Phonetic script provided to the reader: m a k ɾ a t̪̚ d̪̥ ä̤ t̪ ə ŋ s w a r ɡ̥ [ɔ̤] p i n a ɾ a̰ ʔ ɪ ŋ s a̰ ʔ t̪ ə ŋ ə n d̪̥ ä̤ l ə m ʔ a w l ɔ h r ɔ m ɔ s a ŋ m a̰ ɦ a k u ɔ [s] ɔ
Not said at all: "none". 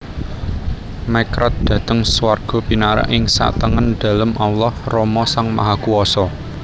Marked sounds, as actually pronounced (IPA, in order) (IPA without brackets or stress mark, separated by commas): ɔ̤, s